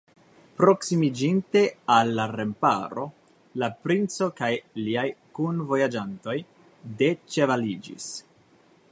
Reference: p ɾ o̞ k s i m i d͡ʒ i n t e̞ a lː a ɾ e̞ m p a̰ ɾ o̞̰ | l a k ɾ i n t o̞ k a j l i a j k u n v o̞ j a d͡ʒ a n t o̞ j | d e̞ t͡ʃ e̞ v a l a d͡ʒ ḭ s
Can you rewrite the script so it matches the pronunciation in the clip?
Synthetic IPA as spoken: p ɾ o̞ k s i m i d͡ʒ i n t e̞ a lː a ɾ e̞ m p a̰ ɾ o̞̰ | l a p ɾ i n t͡s o̞ k a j l i a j k u n v o̞ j a d͡ʒ a n t o̞ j | d e̞ t͡ʃ e̞ v a l i d͡ʒ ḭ s